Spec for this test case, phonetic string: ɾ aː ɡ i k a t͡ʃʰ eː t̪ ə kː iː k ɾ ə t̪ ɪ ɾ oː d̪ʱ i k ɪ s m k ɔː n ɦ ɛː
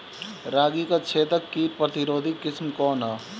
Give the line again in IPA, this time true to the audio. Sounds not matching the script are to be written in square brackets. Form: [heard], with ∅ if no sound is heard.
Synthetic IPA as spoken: ɾ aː ɡ i k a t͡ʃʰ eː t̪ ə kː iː [p] ɾ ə t̪ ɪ ɾ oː d̪ʱ i k ɪ s m k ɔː n ɦ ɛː